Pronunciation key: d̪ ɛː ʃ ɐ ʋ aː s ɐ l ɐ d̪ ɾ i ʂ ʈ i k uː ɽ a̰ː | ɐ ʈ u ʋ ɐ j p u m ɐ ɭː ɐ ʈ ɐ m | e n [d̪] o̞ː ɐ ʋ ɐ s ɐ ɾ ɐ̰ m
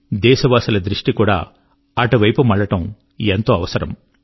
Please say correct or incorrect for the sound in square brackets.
incorrect